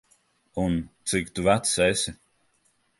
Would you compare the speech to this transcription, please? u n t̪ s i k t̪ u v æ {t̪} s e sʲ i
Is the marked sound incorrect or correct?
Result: correct